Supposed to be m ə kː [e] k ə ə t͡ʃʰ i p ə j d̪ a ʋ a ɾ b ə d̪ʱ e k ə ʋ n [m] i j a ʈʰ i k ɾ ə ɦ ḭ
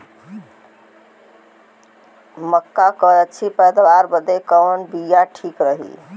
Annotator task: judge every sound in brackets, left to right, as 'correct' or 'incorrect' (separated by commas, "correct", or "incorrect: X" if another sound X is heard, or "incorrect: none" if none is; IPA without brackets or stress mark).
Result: incorrect: a, incorrect: b